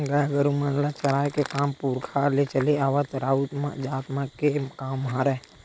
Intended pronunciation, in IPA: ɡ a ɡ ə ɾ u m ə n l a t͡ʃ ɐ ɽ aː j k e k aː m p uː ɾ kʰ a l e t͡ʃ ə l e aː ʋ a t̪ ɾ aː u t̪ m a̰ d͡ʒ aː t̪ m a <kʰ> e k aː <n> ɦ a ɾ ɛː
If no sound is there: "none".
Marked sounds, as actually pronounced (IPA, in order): k, m

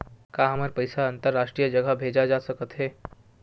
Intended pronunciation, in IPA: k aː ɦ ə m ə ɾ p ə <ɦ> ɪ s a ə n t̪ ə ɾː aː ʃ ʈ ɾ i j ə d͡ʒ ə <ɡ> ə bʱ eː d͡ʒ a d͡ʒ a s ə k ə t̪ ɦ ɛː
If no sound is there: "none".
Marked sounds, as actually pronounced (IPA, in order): none, ɡ

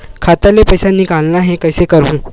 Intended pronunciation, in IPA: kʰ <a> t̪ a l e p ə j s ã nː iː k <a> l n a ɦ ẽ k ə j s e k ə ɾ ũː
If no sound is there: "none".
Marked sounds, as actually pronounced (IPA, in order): a, a

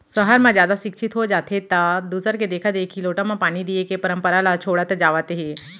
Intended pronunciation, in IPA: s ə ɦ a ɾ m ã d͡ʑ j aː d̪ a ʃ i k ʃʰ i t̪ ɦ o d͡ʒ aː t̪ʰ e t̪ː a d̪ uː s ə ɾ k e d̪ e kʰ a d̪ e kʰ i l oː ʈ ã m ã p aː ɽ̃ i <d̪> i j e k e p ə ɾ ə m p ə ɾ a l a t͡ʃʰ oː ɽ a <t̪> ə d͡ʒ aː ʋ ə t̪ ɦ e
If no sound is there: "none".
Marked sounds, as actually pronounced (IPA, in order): d̪, t̪

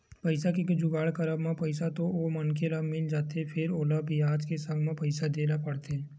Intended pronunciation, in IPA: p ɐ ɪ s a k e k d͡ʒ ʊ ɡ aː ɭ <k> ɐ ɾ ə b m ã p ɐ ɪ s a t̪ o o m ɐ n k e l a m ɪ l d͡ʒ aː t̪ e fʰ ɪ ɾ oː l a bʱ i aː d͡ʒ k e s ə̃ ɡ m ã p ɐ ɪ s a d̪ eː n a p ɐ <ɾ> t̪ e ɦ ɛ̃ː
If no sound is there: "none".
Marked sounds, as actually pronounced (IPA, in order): k, ɽ

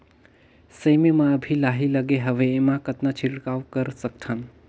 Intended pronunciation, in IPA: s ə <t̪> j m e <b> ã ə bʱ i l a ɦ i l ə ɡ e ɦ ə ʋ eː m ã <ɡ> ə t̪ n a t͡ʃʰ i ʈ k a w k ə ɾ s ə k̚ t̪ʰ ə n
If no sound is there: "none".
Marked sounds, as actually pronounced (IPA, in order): none, m, k

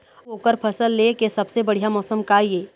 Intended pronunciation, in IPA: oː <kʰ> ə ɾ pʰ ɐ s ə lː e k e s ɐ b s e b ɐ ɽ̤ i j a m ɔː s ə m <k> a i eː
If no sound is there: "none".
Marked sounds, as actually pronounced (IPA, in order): k, k

